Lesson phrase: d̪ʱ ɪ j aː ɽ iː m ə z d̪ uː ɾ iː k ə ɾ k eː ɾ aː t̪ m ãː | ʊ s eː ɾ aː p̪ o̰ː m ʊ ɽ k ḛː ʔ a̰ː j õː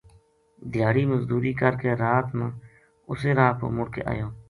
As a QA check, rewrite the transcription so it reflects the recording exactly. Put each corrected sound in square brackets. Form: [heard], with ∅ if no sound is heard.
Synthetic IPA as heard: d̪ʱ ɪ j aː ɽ iː m ə z d̪ uː ɾ iː k ə ɾ k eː ɾ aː t̪ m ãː | ʊ s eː ɾ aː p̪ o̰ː m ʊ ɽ k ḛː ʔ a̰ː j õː